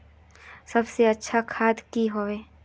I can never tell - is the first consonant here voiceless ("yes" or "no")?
yes